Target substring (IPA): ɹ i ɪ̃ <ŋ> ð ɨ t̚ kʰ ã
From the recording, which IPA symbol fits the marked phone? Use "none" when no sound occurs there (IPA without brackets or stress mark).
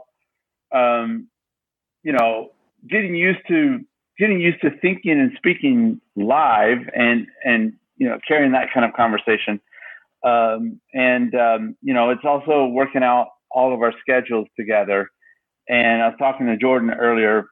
ŋ